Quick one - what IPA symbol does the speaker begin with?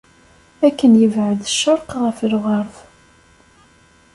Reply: æ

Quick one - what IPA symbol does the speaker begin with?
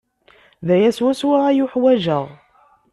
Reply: ð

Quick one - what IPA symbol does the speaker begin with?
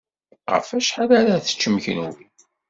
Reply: ʁ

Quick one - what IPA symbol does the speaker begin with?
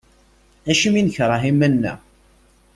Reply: æ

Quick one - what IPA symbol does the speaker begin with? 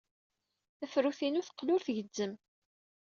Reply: æ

